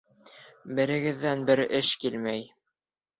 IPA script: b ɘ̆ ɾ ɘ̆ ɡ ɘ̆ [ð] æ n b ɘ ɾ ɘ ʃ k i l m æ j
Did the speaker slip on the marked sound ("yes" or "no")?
yes